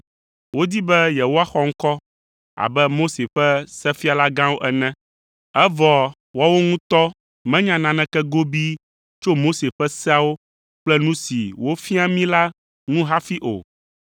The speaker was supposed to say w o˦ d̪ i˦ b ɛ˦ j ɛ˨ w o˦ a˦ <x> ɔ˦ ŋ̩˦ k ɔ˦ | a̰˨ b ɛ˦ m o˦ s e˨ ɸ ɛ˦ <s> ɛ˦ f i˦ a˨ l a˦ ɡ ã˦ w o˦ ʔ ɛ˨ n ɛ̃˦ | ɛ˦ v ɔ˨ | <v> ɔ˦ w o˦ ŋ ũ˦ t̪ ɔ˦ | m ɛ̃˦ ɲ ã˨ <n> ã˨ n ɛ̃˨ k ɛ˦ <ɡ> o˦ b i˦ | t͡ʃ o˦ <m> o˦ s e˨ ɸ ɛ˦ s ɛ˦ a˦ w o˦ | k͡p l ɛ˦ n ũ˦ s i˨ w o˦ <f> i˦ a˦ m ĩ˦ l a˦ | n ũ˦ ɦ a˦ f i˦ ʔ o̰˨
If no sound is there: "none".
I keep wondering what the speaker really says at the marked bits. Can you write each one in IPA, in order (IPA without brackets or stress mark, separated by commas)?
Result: x, s, w, n, ɡ, m, f